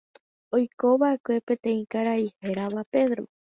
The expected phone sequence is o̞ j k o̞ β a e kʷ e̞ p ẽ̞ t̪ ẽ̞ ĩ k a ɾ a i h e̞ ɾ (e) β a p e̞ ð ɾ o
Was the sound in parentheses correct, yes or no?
no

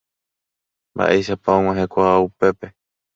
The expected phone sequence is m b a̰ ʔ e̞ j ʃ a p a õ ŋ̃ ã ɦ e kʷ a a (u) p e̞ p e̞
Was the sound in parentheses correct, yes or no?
yes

